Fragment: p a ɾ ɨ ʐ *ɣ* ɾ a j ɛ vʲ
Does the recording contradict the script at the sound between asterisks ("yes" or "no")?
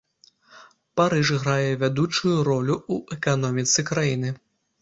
no